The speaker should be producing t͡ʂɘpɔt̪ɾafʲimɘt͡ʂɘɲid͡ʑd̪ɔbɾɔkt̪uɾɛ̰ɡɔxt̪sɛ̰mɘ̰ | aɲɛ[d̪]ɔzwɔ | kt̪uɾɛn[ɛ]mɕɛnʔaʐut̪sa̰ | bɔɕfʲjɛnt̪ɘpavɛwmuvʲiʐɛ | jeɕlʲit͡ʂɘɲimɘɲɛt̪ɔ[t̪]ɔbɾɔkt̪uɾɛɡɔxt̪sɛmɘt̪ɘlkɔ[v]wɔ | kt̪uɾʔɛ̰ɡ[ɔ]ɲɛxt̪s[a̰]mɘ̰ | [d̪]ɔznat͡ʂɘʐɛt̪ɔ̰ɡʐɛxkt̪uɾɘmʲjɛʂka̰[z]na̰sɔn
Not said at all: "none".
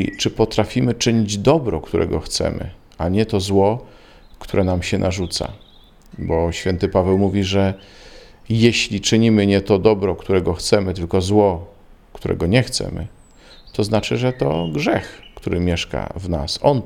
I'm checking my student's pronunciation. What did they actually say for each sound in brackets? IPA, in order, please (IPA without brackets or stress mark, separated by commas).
t̪, a, d̪, z, ɔ, ɛ̰, t̪, v